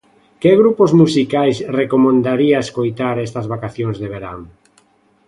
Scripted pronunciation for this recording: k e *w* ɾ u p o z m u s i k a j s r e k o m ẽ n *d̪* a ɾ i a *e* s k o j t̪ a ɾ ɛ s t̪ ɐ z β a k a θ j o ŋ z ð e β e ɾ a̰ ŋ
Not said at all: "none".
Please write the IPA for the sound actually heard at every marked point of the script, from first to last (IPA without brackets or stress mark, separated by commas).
ɣ, d̪, e